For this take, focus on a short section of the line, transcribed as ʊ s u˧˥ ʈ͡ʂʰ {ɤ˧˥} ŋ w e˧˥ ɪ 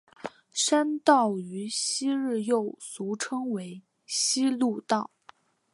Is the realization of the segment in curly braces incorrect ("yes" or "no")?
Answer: yes